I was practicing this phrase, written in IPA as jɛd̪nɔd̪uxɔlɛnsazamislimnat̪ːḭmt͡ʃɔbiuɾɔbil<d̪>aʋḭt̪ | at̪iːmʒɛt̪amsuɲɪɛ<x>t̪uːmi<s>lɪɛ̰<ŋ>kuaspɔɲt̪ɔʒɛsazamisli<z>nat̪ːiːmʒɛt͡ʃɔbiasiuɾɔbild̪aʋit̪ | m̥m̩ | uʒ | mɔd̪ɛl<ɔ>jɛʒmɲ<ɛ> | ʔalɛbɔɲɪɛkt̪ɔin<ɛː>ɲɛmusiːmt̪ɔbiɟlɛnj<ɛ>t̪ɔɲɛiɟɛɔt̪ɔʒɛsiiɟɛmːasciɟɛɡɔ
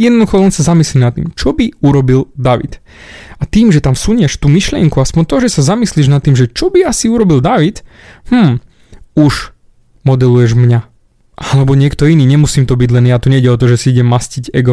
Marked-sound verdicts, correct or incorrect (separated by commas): correct, incorrect, incorrect, correct, incorrect, incorrect, incorrect, incorrect, incorrect